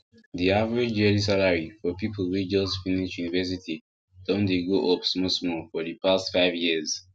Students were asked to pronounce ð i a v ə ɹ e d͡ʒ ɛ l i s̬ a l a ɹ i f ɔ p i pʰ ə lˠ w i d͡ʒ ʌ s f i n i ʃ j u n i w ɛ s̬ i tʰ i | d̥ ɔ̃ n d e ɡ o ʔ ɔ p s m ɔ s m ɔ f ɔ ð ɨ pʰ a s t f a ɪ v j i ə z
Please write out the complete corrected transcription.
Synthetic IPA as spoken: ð i a v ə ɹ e d͡ʒ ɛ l i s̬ a l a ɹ i f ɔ p i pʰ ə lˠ w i d͡ʒ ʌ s f i n i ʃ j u n i v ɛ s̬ i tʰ i | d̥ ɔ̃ n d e ɡ o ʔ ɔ p s m ɔ s m ɔ f ɔ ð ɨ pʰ a s t f a ɪ v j i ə z